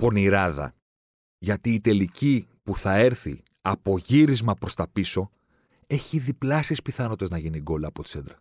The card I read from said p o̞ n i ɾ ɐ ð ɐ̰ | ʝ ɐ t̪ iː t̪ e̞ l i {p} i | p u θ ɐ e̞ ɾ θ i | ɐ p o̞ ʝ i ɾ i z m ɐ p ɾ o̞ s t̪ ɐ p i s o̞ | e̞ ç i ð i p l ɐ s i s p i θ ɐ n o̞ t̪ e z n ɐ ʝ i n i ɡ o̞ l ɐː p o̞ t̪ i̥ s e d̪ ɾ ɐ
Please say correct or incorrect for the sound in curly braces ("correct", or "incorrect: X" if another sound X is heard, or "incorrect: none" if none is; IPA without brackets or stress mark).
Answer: incorrect: c